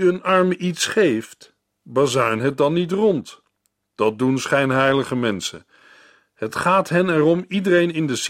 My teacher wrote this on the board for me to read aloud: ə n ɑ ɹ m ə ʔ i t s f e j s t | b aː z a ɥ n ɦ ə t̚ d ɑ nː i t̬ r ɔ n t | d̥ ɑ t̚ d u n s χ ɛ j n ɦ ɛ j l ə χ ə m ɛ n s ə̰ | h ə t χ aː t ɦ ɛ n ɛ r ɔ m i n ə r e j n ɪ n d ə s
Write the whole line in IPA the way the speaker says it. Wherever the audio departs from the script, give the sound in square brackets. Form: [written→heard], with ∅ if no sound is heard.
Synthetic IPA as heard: ə n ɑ ɹ m ə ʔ i t s [f→χ] e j [s→f] t | b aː z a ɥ n ɦ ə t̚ d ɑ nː i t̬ r ɔ n t | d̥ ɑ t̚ d u n s χ ɛ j n ɦ ɛ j l ə χ ə m ɛ n s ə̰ | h ə t χ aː t ɦ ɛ n ɛ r ɔ m i [n→d] ə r e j n ɪ n d ə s